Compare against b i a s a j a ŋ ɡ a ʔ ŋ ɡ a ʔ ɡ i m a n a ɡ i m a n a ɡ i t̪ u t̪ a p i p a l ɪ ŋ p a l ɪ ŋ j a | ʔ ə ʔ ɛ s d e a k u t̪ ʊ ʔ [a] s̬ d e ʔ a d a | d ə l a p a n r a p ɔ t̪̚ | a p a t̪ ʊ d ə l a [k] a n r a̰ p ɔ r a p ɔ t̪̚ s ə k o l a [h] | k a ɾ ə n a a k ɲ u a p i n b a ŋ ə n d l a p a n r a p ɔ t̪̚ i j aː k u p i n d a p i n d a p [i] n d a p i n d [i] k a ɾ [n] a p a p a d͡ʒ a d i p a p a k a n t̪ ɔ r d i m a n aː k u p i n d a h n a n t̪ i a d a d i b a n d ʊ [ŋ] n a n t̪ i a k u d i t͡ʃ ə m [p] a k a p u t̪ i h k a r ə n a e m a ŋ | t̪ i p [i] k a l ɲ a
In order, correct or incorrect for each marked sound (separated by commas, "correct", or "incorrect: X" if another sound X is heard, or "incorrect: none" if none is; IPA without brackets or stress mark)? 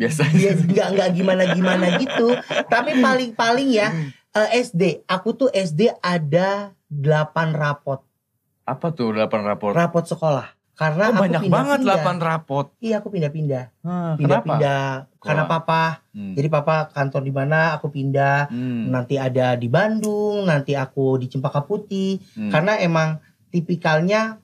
incorrect: ɛ, incorrect: p, correct, correct, incorrect: a, correct, correct, correct, correct